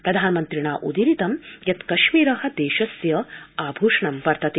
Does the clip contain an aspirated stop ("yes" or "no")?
no